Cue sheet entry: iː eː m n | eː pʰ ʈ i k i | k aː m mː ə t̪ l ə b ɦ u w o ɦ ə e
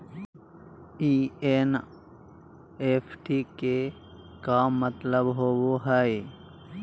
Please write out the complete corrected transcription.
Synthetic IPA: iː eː n | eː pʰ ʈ i k e | k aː m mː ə t̪ l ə b ɦ o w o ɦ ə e